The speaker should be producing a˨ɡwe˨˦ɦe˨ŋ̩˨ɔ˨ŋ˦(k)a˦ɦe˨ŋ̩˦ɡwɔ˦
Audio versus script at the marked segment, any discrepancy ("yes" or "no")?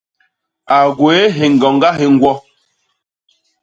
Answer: yes